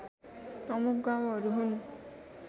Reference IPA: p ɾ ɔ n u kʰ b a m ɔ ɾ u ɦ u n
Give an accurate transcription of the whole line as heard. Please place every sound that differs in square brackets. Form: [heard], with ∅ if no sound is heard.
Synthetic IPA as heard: p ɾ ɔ [m] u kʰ [ɡ] a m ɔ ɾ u ɦ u n